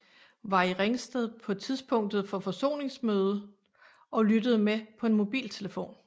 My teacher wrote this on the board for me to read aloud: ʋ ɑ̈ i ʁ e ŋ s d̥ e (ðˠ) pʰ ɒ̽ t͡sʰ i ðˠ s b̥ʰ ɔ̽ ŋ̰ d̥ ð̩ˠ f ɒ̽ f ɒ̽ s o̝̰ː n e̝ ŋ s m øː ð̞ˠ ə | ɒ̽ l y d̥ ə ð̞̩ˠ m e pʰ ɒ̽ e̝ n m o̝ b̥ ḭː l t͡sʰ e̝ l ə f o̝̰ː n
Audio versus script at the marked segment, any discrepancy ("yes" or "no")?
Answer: no